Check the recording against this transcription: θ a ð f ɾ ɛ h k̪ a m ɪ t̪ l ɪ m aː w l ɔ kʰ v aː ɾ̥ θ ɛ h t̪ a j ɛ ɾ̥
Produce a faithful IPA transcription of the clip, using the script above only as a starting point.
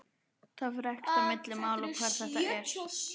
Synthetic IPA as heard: θ a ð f ɾ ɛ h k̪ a m ɪ t̪ l ɪ m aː w l ɔ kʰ v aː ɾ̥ θ ɛ h t̪ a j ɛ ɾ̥